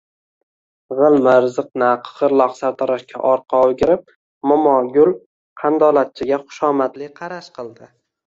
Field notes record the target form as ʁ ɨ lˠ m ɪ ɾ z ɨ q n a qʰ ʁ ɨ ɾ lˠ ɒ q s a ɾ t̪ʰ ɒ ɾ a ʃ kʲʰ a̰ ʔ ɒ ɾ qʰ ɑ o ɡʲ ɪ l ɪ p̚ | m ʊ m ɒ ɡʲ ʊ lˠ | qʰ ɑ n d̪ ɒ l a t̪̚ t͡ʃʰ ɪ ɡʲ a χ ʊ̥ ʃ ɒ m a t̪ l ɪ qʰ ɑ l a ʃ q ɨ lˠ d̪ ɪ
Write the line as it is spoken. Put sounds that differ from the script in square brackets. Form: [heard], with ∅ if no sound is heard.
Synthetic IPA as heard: ʁ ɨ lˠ m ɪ ɾ z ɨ q n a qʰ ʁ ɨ ɾ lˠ ɒ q s a ɾ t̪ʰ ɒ ɾ a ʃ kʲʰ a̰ ʔ ɒ ɾ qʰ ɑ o ɡʲ ɪ [ɾ] ɪ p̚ | m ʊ m ɒ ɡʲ ʊ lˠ | qʰ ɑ n d̪ ɒ l a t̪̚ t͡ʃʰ ɪ ɡʲ a χ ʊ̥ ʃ ɒ m a t̪ l ɪ qʰ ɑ [ɾ] a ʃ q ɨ lˠ d̪ ɪ